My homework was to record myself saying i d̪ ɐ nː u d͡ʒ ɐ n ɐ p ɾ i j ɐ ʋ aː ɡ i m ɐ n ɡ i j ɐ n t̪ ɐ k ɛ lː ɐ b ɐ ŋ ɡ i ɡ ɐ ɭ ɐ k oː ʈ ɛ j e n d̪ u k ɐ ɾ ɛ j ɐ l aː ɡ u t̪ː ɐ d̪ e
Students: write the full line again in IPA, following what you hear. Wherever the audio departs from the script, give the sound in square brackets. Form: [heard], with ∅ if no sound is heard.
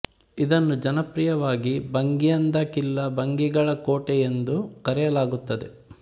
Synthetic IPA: i d̪ ɐ nː u d͡ʒ ɐ n ɐ p ɾ i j ɐ ʋ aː ɡ i [b] ɐ [ŋ] ɡ i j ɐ n [d̪] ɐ k [i] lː ɐ b ɐ ŋ ɡ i ɡ ɐ ɭ ɐ k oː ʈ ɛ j e n d̪ u k ɐ ɾ ɛ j ɐ l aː ɡ u t̪ː ɐ d̪ e